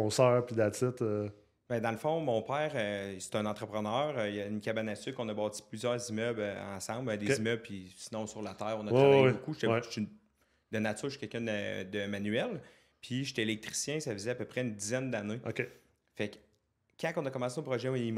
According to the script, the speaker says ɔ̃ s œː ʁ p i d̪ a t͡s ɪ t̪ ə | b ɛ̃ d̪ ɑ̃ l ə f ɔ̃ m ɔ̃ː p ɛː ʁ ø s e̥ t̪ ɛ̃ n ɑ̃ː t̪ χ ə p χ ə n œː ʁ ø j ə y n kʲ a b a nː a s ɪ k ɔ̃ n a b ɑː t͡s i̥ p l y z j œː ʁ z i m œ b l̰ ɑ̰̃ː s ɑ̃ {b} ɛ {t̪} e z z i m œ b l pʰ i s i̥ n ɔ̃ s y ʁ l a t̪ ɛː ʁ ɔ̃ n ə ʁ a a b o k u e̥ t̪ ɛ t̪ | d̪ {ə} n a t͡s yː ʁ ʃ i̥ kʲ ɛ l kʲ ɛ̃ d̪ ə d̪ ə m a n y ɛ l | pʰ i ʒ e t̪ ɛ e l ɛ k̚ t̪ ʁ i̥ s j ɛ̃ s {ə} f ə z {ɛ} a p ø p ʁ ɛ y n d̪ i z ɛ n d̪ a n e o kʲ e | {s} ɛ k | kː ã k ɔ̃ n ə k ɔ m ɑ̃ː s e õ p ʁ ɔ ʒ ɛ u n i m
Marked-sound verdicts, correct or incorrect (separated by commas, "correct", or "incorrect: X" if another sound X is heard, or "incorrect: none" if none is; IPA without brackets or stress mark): correct, incorrect: d̪, correct, incorrect: a, correct, incorrect: f